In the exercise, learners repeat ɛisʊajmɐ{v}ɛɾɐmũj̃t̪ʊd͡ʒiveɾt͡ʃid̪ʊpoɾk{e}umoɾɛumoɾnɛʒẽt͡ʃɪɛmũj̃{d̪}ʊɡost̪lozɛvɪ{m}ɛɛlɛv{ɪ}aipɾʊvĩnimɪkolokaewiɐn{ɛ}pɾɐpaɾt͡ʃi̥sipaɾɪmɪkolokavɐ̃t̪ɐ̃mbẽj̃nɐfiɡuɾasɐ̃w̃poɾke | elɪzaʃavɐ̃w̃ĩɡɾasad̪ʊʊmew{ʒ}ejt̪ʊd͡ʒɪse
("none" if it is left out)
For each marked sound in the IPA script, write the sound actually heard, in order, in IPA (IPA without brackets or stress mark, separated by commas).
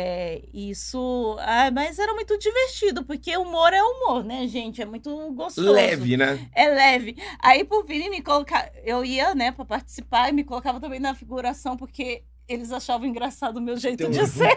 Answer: z, e, t̪, n, ɪ, ɛ, ʒ